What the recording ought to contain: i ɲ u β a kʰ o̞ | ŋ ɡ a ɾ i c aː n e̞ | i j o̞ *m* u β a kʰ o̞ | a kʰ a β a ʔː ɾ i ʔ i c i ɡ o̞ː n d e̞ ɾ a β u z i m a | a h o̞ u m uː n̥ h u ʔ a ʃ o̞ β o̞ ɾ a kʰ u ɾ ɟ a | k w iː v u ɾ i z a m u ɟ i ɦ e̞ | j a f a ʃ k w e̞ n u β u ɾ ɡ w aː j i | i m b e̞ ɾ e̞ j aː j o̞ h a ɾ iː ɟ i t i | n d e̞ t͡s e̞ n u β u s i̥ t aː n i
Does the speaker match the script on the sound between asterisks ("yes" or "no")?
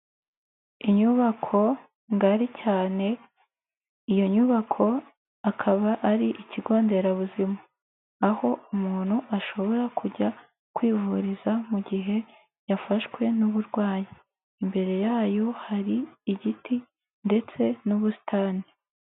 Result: no